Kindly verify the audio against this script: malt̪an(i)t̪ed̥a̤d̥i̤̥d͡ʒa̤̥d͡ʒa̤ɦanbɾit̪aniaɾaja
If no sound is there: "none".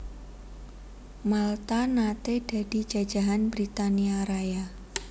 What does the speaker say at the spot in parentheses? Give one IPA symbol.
a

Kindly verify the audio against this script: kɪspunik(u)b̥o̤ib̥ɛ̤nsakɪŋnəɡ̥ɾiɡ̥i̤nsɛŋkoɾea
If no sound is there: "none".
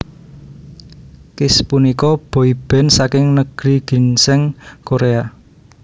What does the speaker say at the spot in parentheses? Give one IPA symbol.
ɔ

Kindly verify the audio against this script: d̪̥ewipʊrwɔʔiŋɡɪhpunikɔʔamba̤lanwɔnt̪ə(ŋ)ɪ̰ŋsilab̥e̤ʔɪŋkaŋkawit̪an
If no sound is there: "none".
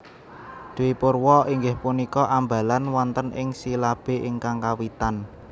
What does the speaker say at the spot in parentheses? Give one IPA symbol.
n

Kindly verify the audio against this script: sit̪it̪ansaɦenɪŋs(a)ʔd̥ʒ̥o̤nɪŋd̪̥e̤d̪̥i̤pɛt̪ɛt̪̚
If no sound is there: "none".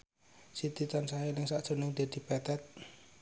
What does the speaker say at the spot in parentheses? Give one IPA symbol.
a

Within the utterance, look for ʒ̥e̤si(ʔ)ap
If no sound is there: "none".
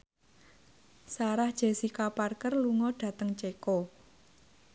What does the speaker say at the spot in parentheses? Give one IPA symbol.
k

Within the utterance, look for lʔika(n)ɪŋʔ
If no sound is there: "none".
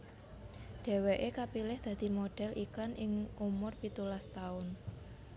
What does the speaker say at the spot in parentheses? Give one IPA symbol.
n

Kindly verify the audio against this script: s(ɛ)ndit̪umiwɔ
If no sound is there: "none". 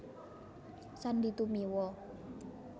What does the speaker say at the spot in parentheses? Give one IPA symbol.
a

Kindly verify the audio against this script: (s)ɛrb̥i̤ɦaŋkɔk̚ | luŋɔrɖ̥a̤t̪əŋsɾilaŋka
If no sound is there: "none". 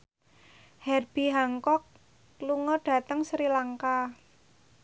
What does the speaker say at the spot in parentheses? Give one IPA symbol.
h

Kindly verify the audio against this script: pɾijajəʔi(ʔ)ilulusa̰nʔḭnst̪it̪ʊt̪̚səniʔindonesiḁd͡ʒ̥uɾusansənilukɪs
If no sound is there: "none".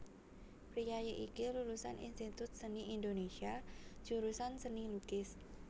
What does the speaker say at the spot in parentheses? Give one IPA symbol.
k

